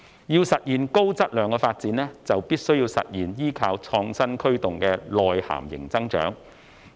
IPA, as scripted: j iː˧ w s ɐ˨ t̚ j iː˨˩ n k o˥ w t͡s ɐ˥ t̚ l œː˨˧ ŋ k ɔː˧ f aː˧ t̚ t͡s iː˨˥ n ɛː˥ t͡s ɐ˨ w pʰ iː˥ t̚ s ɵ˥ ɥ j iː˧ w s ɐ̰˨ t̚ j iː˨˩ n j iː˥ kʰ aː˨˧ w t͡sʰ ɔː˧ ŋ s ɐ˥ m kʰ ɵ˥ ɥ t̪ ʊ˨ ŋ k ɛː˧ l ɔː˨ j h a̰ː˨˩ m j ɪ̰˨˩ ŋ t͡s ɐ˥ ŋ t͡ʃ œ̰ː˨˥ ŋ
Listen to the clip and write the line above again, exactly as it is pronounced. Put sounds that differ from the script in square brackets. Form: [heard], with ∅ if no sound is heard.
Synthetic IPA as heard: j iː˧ w s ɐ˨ t̚ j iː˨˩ n k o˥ w t͡s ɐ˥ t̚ l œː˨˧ ŋ k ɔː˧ f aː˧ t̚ t͡s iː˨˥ n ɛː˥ t͡s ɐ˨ w [p] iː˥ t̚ s ɵ˥ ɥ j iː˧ w s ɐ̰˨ t̚ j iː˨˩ n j iː˥ kʰ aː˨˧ w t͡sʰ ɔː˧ ŋ s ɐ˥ [n] kʰ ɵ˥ ɥ t̪ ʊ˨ ŋ k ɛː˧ l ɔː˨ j h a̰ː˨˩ m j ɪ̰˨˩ ŋ t͡s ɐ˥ ŋ t͡ʃ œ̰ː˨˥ ŋ

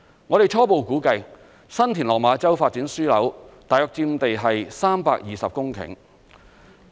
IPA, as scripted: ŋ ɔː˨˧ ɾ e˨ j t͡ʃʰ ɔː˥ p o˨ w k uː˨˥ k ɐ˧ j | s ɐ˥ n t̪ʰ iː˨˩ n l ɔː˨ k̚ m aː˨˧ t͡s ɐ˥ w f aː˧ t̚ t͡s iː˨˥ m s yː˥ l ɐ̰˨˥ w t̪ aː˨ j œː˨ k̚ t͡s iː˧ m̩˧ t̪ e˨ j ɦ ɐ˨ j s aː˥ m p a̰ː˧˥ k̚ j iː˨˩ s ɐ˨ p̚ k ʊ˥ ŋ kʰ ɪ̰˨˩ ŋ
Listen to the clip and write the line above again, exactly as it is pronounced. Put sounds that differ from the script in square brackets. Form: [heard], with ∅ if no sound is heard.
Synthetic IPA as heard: ŋ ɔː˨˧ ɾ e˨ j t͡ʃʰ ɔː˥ p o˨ w k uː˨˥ k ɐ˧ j | s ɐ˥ n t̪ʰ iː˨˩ n l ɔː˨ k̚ m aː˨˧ t͡s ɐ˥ w f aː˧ t̚ t͡s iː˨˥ [n] s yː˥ l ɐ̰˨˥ w t̪ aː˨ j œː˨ k̚ t͡s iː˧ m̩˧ t̪ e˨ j ɦ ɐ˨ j s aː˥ m p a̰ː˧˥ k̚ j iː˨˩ s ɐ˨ p̚ k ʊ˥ ŋ kʰ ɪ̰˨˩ ŋ

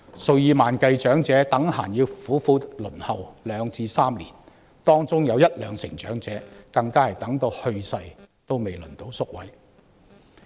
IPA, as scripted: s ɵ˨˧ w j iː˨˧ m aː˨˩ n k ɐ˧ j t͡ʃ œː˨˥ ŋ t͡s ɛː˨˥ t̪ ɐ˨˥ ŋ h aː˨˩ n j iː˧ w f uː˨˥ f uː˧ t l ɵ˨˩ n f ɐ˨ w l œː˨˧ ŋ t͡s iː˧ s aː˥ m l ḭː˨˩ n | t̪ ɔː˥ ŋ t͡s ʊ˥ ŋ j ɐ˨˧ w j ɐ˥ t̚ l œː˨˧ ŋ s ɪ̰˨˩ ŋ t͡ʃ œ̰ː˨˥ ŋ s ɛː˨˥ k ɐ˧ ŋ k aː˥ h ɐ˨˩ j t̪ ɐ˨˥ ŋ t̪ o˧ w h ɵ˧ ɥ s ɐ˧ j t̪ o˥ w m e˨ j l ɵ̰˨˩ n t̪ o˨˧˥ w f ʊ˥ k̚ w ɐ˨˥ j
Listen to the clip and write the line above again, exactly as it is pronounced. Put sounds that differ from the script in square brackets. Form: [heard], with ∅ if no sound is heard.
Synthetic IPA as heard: s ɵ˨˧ w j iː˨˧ m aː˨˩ n k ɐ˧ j t͡ʃ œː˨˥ ŋ t͡s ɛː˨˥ t̪ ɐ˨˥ ŋ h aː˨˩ n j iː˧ w f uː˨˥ f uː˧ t l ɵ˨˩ n [h] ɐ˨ w l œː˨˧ ŋ t͡s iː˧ s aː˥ m l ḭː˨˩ n | t̪ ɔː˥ ŋ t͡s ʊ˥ ŋ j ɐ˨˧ w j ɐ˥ t̚ l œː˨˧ ŋ s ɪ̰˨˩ ŋ t͡ʃ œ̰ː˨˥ ŋ [t͡s] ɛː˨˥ k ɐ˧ ŋ k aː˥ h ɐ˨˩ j t̪ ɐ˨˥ ŋ t̪ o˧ w h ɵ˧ ɥ s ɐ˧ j t̪ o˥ w m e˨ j l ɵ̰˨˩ n t̪ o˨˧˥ w [s] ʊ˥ k̚ w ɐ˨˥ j

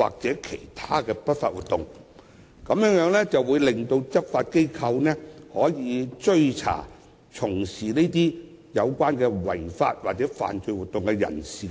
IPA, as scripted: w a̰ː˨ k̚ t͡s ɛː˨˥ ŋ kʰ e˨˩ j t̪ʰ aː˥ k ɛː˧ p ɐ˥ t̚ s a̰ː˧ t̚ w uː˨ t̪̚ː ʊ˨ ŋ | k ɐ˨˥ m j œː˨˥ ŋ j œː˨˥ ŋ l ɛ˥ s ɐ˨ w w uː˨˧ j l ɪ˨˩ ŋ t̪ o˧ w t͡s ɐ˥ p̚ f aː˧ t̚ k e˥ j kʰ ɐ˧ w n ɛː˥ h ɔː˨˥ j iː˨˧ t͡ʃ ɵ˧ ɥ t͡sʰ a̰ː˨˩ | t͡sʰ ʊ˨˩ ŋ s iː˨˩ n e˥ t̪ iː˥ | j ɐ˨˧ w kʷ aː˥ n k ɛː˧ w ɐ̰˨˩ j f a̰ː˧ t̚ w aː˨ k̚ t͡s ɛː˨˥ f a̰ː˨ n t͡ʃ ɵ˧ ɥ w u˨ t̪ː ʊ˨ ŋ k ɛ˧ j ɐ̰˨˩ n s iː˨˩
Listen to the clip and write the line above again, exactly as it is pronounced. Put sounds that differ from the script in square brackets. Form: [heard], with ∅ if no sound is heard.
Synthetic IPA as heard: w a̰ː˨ k̚ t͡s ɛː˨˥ [∅] kʰ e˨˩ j t̪ʰ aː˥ k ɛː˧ p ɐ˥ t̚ [f] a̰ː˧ t̚ w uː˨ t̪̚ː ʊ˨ ŋ | k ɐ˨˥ m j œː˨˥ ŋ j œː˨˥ ŋ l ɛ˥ [t͡s] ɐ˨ w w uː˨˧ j l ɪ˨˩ ŋ t̪ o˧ w t͡s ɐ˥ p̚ f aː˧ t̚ k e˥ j kʰ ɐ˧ w n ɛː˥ h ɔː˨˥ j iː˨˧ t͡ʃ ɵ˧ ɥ t͡sʰ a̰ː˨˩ | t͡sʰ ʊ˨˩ ŋ s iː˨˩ n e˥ t̪ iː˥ | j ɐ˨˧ w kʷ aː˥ n k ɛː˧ w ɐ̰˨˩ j f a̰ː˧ t̚ w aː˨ k̚ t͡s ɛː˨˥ f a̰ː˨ n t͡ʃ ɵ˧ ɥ w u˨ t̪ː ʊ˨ ŋ k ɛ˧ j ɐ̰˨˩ n s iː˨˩

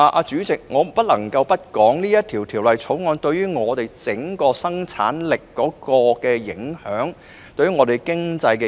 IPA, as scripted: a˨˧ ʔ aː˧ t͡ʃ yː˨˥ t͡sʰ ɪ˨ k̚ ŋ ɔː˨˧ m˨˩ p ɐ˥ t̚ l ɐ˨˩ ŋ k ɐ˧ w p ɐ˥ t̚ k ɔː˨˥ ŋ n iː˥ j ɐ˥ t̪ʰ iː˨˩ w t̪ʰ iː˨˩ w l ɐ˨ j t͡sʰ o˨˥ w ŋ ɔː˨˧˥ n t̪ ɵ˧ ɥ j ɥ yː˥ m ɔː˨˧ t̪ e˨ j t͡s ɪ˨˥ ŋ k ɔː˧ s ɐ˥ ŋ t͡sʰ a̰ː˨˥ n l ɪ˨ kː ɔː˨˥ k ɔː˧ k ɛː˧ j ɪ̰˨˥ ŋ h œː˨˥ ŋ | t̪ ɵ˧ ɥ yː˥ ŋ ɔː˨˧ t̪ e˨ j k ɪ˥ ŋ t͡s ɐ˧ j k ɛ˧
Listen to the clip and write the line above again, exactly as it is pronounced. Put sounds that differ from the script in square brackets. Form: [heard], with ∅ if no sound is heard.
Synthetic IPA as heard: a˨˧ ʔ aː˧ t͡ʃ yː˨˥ [t͡s] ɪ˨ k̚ ŋ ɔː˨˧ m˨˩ p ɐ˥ t̚ l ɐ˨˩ ŋ k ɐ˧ w p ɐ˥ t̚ k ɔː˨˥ ŋ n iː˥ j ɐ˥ t̪ʰ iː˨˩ w t̪ʰ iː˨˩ w l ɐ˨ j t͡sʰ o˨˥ w ŋ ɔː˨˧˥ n t̪ ɵ˧ ɥ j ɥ yː˥ [ŋ] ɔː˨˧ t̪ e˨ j t͡s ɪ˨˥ ŋ k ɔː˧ s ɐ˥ ŋ t͡sʰ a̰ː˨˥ n l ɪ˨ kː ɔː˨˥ k ɔː˧ k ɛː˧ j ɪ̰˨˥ ŋ h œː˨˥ ŋ | t̪ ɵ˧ ɥ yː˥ ŋ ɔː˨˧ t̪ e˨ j k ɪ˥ ŋ t͡s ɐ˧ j k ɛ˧

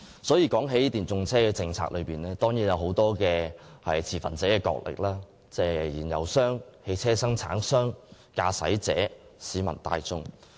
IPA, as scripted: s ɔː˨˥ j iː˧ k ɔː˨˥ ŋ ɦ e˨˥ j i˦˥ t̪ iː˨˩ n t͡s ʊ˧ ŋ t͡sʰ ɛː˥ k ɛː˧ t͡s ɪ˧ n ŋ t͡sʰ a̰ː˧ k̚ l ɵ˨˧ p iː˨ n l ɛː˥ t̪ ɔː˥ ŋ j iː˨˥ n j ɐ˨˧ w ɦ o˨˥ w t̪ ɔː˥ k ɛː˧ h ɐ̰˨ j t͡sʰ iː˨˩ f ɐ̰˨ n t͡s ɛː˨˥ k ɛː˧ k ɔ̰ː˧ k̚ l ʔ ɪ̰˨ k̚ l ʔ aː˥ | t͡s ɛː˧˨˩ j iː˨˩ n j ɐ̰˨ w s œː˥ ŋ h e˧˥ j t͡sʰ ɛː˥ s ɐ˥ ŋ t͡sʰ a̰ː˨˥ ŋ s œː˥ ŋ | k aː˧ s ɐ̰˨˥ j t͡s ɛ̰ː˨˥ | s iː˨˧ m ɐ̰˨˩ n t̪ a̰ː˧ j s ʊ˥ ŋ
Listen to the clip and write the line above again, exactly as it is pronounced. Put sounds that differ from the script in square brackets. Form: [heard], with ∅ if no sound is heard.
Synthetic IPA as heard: s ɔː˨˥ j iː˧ k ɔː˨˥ ŋ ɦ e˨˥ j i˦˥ t̪ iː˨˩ n t͡s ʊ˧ ŋ t͡sʰ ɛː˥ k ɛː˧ t͡s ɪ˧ [∅] ŋ t͡sʰ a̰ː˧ k̚ l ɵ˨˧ p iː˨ n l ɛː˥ t̪ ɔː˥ ŋ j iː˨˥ n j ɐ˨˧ w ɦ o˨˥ w t̪ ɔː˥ k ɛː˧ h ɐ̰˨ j t͡sʰ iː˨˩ f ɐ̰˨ n t͡s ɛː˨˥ k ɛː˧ k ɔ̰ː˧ k̚ l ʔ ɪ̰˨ k̚ l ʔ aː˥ | t͡s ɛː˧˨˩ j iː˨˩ n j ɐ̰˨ w s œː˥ ŋ h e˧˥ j t͡sʰ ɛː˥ s ɐ˥ ŋ t͡sʰ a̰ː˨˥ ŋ s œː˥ ŋ | k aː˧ s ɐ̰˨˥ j t͡s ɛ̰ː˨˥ | s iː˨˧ m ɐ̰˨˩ n t̪ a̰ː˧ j [t͡s] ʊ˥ ŋ

